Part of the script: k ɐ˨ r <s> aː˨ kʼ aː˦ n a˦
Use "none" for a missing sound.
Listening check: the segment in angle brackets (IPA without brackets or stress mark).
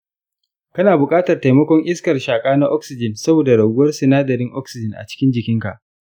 ʃ